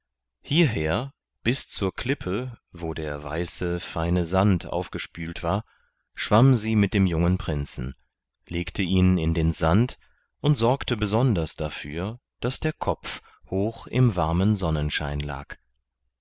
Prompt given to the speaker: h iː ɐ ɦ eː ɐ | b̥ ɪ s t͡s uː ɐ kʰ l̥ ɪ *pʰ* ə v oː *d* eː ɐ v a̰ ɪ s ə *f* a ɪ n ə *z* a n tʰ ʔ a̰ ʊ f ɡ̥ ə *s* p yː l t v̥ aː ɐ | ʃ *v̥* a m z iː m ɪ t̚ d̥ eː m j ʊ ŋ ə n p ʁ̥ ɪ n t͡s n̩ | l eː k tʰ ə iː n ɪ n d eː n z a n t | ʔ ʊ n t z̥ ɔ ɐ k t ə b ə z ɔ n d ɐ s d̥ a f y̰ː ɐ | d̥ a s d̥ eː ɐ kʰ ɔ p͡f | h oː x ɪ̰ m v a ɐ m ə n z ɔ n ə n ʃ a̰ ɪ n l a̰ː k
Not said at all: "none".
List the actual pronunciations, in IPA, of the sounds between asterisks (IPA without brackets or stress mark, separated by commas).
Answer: pʰ, d, f, z, ʃ, v̥